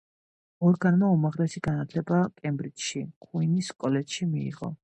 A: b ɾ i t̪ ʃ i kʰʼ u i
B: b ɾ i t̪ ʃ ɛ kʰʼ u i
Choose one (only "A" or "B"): A